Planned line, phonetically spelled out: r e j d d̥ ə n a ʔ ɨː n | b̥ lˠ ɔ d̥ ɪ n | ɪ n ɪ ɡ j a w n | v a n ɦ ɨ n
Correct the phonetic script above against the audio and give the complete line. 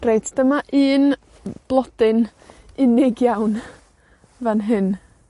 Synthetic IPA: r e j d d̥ ə m a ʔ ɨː n | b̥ lˠ ɔ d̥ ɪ n | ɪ n ɪ ɡ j a w n | v a n ɦ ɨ n